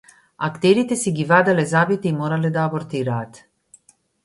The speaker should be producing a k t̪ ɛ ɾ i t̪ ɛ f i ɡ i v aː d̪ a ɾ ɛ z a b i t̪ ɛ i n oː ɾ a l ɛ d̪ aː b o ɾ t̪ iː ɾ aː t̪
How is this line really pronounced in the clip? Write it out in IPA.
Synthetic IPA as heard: a k t̪ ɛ ɾ i t̪ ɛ s i ɡ i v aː d̪ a l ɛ z a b i t̪ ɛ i m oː ɾ a l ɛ d̪ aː b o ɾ t̪ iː ɾ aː t̪

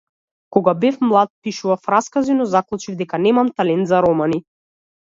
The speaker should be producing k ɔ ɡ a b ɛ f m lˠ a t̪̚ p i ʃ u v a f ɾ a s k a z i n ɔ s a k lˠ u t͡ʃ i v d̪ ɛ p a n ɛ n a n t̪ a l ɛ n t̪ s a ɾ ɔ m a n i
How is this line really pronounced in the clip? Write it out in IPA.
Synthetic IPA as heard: k ɔ ɡ a b ɛ f m lˠ a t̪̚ p i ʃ u v a f ɾ a s k a z i n ɔ z a k lˠ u t͡ʃ i v d̪ ɛ k a n ɛ m a m t̪ a l ɛ n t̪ z a ɾ ɔ m a n i

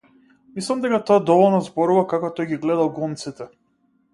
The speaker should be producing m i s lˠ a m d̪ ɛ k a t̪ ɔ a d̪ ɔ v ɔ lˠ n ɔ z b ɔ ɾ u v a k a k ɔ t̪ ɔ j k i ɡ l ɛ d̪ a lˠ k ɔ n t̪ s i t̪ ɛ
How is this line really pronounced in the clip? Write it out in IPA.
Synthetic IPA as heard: m i s lˠ a m d̪ ɛ k a t̪ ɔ a d̪ ɔ v ɔ lˠ n ɔ z b ɔ ɾ u v a k a k ɔ t̪ ɔ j ɡ i ɡ l ɛ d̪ a lˠ ɡ ɔ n t̪ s i t̪ ɛ

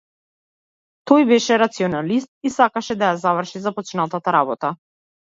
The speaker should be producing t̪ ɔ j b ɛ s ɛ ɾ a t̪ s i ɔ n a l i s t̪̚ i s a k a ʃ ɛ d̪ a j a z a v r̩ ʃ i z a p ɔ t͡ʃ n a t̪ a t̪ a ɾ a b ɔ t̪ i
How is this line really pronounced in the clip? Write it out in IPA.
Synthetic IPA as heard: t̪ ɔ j b ɛ ʃ ɛ ɾ a t̪ s i ɔ n a l i s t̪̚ i s a k a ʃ ɛ d̪ a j a z a v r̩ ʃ i z a p ɔ t͡ʃ n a t̪ a t̪ a ɾ a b ɔ t̪ a

